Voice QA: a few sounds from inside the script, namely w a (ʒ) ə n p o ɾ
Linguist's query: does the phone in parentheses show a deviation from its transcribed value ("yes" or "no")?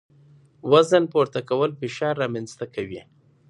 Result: yes